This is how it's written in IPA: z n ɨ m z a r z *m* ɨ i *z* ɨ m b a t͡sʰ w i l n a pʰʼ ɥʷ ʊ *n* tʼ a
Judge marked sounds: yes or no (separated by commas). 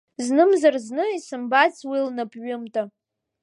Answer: no, no, no